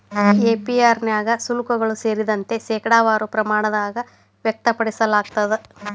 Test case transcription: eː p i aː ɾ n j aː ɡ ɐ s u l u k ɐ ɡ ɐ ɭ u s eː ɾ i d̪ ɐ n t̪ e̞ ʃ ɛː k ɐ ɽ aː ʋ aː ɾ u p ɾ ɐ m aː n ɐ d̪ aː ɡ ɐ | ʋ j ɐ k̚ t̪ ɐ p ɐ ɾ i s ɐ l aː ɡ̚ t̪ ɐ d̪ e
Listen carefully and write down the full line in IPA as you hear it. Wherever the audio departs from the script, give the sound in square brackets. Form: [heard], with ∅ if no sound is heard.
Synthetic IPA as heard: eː p i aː ɾ n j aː ɡ ɐ s u l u k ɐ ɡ ɐ ɭ u s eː ɾ i d̪ ɐ n t̪ e̞ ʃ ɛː k ɐ ɽ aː ʋ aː ɾ u p ɾ ɐ m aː [ɳ] ɐ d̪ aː ɡ ɐ | ʋ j ɐ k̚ t̪ ɐ p ɐ [ɽ] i s ɐ l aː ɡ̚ t̪ ɐ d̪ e